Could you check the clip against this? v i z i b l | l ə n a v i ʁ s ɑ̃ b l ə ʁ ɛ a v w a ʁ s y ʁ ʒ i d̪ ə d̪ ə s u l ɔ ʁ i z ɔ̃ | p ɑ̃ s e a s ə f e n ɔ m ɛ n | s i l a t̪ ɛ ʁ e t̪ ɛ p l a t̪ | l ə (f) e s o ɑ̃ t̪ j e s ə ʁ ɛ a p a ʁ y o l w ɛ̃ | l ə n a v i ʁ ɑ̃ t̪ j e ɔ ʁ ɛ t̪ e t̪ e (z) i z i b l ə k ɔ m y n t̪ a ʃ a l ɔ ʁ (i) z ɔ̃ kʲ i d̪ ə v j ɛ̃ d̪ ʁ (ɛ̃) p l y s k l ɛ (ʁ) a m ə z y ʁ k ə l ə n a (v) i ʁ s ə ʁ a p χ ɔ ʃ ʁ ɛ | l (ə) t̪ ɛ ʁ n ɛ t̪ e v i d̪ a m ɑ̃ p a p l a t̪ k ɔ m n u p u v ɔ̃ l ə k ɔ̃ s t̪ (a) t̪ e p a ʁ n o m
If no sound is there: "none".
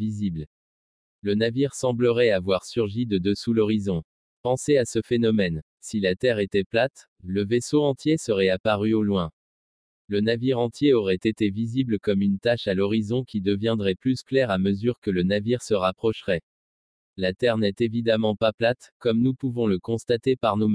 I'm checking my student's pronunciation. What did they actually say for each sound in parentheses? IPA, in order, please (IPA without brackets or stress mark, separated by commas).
v, v, i, ɛ, ʁ, v, a, a